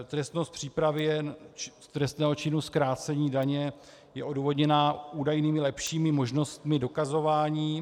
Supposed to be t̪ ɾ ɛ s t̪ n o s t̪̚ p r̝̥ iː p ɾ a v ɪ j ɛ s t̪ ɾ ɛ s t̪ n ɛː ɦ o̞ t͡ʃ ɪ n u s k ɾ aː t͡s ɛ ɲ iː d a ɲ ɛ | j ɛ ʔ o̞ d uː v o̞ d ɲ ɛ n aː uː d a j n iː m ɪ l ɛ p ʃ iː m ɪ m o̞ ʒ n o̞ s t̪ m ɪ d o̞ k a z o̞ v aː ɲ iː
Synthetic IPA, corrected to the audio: t̪ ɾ ɛ s t̪ n o s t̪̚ p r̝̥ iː p ɾ a v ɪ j ɛ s t̪ ɾ ɛ s t̪ n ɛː ɦ o̞ t͡ʃ ɪ n u s k ɾ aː t͡s ɛ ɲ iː d a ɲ ɛ | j ɛ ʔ o̞ d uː v o̞ d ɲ ɛ n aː uː d a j n iː m ɪ l ɛ p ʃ iː m ɪ m o̞ ʒ n o̞ s t̪ m ɪ d o̞ k a z o̞ v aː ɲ iː